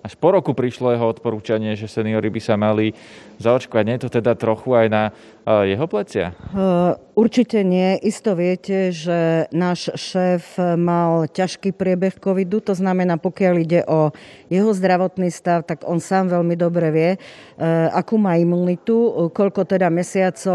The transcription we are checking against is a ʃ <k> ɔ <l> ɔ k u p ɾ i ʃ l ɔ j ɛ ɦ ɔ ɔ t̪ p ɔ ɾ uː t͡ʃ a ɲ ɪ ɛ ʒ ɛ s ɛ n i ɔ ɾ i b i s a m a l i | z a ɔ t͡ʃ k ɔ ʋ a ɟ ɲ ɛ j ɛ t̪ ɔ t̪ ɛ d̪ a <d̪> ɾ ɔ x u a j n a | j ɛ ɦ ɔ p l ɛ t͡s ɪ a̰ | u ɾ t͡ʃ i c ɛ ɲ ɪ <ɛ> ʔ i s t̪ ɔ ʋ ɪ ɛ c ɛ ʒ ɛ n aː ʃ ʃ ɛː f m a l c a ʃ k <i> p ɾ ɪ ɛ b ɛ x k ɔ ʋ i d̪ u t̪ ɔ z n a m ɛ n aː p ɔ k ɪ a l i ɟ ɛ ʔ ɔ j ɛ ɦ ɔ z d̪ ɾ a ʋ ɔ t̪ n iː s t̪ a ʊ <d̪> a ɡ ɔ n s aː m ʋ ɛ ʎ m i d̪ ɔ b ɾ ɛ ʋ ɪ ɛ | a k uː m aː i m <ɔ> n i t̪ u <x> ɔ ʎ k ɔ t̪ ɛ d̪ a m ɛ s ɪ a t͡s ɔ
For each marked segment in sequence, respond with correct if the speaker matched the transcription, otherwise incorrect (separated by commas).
incorrect, incorrect, incorrect, correct, incorrect, incorrect, incorrect, incorrect